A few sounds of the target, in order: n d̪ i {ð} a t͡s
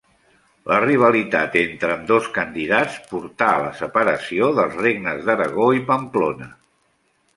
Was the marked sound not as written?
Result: no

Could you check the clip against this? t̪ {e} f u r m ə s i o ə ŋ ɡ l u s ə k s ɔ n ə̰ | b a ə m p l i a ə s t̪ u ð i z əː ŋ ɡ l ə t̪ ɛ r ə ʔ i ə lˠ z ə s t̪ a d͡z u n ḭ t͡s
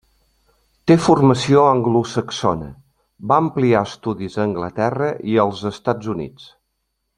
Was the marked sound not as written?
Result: no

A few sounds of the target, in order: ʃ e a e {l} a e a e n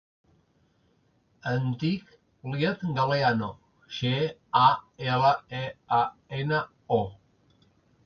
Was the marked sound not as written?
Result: no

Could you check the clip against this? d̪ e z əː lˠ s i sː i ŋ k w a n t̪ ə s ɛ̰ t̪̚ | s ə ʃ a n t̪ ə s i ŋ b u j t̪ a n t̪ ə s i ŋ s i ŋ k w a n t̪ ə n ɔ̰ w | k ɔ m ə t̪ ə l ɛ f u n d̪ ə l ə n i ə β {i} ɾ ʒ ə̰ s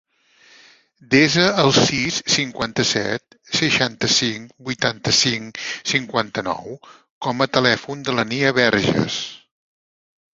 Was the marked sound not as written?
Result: yes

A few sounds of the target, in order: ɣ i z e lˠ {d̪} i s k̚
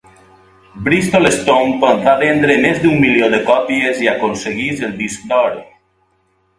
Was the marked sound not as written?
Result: no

